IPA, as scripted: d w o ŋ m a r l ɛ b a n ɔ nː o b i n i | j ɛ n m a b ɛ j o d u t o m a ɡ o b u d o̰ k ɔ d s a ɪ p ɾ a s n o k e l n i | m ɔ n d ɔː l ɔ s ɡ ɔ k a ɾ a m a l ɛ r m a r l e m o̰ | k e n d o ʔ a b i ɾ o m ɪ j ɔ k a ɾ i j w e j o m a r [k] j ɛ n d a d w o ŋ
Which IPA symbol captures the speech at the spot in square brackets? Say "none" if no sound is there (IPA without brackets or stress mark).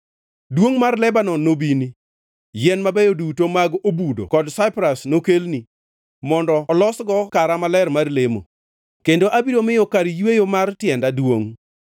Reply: t